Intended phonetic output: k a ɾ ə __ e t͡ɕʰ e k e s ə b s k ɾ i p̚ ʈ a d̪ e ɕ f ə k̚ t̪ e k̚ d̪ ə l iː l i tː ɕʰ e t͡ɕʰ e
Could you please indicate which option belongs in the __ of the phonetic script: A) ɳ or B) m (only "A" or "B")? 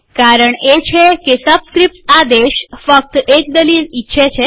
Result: A